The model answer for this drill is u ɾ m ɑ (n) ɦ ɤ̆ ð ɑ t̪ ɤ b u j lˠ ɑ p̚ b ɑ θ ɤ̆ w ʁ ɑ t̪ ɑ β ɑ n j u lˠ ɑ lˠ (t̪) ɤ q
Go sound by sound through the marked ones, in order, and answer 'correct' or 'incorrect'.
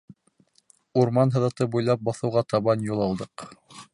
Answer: correct, incorrect: d̪

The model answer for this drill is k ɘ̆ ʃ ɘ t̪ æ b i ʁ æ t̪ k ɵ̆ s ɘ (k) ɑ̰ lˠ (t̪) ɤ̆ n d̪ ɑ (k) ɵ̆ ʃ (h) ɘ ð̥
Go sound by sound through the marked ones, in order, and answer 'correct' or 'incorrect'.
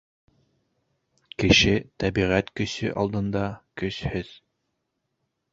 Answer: incorrect: ʔ, incorrect: d̪, correct, correct

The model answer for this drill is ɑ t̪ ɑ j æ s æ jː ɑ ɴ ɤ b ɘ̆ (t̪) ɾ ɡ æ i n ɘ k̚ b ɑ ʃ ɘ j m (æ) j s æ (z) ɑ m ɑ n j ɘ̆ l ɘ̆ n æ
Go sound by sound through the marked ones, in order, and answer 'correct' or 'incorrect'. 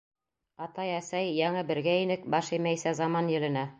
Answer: incorrect: none, correct, correct

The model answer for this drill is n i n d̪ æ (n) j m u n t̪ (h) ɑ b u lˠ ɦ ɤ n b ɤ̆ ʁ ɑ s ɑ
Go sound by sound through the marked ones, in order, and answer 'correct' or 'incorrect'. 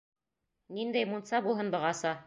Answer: incorrect: none, incorrect: s

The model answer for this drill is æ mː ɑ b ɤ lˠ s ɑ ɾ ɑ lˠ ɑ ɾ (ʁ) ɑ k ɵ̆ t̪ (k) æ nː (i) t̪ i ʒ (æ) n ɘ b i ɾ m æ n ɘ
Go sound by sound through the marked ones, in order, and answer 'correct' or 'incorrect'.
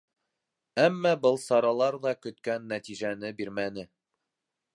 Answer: incorrect: ð, correct, incorrect: æ, correct

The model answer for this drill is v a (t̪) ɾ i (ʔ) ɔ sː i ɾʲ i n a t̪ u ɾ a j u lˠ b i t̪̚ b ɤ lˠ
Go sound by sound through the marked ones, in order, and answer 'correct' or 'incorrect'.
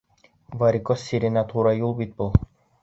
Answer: incorrect: none, incorrect: k

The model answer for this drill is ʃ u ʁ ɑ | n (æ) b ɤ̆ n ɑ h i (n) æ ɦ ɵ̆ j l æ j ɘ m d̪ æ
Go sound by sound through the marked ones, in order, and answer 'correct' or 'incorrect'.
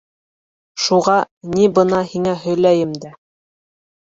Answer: incorrect: i, incorrect: ŋ

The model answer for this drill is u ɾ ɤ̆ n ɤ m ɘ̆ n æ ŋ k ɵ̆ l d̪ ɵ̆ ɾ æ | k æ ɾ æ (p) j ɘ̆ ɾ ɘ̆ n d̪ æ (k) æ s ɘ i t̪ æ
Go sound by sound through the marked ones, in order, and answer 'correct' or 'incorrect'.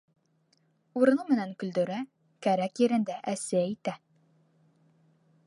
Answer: incorrect: k, incorrect: ʔ

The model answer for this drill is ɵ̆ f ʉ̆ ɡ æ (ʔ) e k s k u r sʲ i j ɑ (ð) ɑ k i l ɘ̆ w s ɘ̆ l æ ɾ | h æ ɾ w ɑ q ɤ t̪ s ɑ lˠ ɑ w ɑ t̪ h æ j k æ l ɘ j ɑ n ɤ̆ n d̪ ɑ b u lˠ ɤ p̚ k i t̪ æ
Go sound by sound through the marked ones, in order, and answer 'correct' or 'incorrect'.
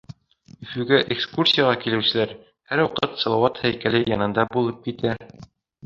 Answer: correct, incorrect: ʁ

